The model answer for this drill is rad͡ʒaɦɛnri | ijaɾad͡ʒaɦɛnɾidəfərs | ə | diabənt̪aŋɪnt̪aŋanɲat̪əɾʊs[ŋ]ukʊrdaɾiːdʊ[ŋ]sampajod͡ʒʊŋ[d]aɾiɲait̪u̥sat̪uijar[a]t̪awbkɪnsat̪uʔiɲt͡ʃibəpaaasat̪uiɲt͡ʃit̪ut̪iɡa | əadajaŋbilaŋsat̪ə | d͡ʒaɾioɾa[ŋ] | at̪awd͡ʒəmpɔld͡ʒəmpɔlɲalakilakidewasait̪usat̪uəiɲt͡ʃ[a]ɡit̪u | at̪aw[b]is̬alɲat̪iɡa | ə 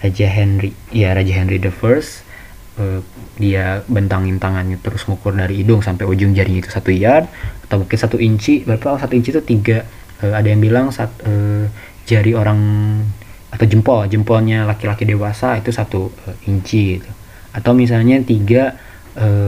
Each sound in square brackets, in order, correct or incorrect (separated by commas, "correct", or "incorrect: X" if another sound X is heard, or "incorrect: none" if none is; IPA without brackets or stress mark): correct, correct, incorrect: d͡ʒ, correct, correct, incorrect: i, incorrect: m